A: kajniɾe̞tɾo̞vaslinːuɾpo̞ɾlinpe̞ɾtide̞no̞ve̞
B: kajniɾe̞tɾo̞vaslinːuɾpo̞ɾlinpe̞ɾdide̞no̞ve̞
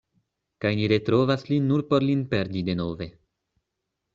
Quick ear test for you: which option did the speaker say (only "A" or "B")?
B